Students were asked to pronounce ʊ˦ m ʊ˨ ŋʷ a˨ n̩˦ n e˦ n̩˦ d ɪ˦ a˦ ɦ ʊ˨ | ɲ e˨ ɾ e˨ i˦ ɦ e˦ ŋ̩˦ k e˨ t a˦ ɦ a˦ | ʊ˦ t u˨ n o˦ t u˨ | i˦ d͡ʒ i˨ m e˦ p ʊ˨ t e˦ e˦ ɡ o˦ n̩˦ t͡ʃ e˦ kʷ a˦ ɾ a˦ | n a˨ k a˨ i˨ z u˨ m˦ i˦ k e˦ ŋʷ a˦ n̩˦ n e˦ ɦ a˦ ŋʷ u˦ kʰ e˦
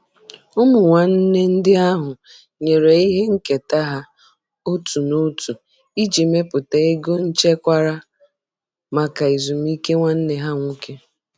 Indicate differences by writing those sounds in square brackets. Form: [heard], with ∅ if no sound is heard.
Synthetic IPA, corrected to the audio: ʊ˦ m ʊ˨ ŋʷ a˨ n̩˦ n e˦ n̩˦ d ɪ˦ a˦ ɦ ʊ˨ | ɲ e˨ ɾ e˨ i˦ ɦ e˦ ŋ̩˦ k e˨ t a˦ ɦ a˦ | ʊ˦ t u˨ n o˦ t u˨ | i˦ d͡ʒ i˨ m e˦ p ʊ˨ t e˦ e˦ ɡ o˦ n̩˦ t͡ʃ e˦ kʷ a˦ ɾ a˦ | [m] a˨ k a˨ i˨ z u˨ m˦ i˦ k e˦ ŋʷ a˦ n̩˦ n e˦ ɦ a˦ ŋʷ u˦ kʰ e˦